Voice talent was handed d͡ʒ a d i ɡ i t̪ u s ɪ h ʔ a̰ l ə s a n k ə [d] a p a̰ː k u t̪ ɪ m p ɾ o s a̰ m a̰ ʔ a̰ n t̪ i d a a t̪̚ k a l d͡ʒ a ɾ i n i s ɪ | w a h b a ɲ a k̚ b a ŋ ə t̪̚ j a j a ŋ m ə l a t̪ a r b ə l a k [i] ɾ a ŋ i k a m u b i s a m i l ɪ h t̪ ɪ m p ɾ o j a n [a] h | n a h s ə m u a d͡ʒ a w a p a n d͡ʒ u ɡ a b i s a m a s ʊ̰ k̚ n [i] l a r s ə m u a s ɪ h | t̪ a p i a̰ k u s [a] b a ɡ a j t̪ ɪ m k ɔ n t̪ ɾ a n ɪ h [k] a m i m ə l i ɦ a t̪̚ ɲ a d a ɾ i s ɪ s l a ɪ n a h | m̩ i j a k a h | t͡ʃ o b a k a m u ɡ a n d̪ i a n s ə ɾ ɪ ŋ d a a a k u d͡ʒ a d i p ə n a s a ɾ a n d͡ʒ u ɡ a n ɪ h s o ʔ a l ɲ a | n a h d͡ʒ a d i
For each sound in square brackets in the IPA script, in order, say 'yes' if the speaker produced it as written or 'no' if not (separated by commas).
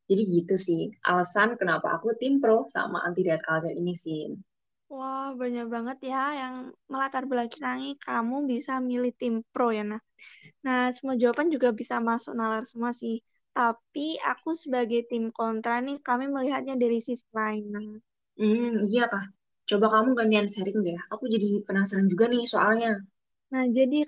no, yes, yes, no, no, yes